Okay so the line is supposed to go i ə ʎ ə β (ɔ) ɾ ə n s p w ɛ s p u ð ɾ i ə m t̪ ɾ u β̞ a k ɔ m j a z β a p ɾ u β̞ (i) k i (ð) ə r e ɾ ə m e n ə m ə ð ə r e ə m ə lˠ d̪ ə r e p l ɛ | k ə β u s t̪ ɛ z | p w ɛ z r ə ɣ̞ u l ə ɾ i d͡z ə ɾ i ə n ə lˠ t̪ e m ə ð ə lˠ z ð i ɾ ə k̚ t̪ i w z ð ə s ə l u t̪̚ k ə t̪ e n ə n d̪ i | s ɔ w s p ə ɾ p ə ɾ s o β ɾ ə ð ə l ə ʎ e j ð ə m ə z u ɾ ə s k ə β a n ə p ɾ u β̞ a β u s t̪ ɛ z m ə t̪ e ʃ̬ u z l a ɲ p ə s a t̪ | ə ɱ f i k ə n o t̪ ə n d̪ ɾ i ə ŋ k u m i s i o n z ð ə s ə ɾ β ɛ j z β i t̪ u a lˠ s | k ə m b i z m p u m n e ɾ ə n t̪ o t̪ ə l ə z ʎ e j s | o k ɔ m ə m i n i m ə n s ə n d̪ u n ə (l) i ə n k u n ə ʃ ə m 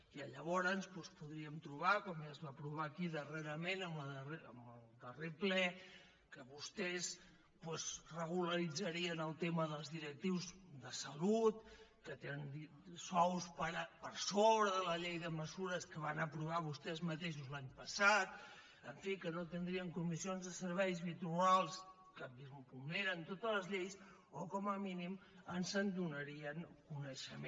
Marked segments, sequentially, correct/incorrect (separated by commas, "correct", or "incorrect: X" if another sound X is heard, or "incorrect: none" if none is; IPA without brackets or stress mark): correct, incorrect: a, correct, incorrect: ɾ